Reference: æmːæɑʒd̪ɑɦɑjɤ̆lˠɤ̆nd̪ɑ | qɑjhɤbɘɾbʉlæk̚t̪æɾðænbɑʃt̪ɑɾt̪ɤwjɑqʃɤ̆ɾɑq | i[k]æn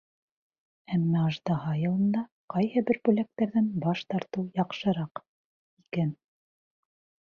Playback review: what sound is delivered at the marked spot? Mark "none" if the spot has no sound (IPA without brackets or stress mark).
k